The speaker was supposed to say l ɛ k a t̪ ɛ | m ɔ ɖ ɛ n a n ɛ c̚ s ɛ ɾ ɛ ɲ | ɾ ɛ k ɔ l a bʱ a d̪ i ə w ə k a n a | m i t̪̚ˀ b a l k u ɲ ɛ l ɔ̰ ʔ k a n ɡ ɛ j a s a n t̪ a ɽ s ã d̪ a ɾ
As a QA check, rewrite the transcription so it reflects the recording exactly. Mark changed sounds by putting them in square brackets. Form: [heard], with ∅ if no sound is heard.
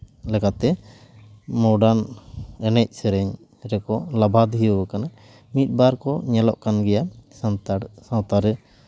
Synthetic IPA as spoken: l ɛ k a t̪ ɛ | m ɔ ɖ [a] n [ɛ] n ɛ c̚ s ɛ ɾ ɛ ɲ | ɾ ɛ k ɔ l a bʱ a d̪ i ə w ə k a n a | m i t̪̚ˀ b a [ɾ] k [ɔ] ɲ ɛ l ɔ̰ ʔ k a n ɡ ɛ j a s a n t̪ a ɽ s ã [t̪] a ɾ